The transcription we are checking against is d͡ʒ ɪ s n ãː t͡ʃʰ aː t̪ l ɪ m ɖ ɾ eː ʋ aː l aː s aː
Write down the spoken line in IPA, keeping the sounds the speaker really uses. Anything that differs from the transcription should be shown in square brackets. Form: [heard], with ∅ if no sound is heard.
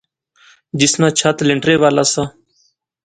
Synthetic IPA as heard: d͡ʒ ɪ s n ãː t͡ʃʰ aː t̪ l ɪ [ɳ] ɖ ɾ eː ʋ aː l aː s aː